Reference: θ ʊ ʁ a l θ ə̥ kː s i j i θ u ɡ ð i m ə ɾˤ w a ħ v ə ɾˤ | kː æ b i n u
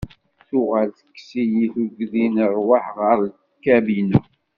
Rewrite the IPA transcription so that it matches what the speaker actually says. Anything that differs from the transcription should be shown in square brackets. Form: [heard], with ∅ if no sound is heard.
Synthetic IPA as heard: θ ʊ ʁ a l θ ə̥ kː s i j i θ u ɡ ð i [n] ə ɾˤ w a ħ [ʁ] ə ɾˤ | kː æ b i n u